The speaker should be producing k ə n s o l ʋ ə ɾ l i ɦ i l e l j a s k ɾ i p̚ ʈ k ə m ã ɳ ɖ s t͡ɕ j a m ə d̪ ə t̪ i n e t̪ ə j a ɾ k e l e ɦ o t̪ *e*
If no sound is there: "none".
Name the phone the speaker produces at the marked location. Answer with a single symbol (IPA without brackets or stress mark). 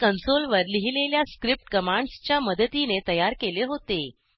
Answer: e